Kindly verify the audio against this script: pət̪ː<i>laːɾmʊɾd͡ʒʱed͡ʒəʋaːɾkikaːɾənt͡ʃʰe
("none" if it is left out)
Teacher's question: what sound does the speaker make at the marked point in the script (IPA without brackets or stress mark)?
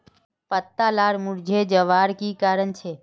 a